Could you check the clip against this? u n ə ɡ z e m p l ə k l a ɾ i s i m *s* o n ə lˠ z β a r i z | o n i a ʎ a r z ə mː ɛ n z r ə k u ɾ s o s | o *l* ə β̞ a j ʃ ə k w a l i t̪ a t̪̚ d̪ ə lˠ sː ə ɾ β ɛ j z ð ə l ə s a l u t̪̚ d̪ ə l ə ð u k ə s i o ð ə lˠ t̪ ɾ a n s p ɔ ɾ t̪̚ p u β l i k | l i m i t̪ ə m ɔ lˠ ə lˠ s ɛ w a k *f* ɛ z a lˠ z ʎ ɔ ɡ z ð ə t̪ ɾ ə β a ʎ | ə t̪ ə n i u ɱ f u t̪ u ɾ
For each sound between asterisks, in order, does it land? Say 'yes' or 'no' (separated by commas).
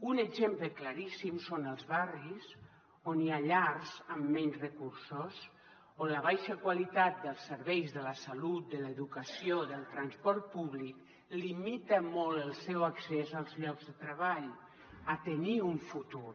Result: yes, yes, no